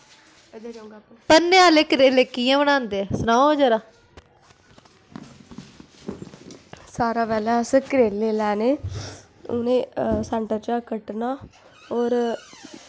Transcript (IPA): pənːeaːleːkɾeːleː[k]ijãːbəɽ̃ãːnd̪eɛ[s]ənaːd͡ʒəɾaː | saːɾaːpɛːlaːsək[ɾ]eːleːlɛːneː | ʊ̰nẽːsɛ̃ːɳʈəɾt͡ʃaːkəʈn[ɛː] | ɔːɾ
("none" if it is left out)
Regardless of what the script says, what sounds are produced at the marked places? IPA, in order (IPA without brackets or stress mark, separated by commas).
k, s, ɾ, aː